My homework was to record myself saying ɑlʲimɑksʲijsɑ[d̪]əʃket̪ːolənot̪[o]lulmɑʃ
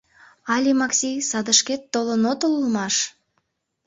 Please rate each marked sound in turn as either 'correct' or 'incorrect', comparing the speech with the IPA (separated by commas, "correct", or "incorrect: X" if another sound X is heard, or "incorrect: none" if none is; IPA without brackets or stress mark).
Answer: correct, correct